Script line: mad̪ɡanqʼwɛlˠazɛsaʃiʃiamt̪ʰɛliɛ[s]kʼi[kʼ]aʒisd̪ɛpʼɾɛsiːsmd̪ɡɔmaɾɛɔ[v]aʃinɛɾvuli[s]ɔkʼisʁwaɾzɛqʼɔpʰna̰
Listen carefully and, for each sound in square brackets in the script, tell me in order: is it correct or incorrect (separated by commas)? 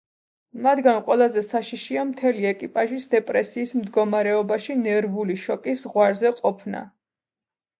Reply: incorrect, incorrect, incorrect, incorrect